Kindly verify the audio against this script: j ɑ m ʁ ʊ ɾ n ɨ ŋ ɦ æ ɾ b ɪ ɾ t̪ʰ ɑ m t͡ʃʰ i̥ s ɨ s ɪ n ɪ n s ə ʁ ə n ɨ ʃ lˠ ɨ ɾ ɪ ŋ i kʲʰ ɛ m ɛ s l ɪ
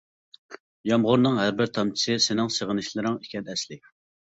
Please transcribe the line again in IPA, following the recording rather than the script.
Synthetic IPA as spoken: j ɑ m ʁ ʊ ɾ n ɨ ŋ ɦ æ ɾ b ɪ ɾ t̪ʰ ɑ m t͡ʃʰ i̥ s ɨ s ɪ n ɪ ŋ s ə ʁ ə n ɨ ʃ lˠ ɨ ɾ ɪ ŋ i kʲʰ ɛ n ɛ s l ɪ